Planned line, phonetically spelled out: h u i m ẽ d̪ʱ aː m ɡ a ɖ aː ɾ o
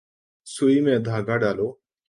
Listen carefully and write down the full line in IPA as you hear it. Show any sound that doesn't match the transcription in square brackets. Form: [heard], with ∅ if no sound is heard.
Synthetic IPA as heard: [s] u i m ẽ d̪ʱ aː [∅] ɡ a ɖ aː [l] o